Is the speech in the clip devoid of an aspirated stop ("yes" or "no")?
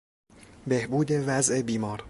yes